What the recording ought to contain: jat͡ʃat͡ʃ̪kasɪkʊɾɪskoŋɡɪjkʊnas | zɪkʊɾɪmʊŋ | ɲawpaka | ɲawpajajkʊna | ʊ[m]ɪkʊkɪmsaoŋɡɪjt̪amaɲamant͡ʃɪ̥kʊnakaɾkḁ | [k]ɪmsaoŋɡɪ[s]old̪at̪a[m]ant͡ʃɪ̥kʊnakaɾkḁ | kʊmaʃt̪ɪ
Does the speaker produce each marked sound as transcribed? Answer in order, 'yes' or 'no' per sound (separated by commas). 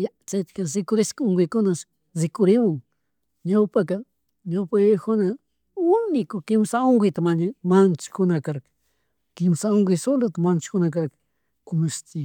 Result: no, yes, yes, yes